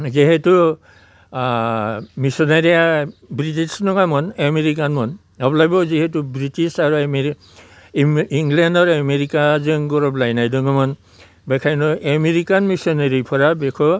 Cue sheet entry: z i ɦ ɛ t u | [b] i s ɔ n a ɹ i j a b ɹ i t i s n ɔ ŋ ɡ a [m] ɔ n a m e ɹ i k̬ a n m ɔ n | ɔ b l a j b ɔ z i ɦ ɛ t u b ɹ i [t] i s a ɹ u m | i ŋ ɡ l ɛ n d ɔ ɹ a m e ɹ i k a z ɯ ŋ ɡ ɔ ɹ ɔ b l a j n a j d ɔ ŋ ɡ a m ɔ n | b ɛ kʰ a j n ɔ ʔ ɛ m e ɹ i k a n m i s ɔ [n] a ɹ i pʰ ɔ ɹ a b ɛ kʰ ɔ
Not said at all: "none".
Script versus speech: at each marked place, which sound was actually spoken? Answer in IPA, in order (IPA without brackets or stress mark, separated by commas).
m, m, t, n